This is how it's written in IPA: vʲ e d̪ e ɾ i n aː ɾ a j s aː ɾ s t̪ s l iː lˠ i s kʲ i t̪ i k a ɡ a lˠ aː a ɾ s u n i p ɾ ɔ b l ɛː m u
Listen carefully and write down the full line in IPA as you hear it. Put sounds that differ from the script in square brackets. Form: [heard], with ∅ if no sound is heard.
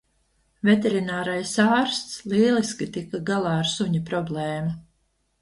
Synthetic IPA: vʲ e [t̪] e ɾ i n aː ɾ a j s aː ɾ s t̪ s l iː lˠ i s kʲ i t̪ i k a ɡ a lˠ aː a ɾ s u [ɲ] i p ɾ ɔ b l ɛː m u